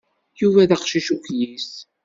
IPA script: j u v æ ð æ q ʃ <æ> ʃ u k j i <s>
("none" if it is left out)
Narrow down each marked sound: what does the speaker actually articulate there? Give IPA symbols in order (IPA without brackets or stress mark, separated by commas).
i, s